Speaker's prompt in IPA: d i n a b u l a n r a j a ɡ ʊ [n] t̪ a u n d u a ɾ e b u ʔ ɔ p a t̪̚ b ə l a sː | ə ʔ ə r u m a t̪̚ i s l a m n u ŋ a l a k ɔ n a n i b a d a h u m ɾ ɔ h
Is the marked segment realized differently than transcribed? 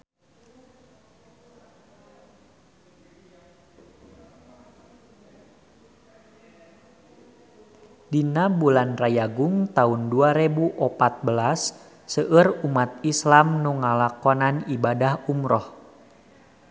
yes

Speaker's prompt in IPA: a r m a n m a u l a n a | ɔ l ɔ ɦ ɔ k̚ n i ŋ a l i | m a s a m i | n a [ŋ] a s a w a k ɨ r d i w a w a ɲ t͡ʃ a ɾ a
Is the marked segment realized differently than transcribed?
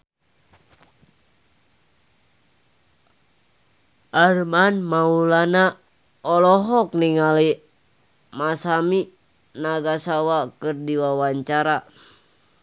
yes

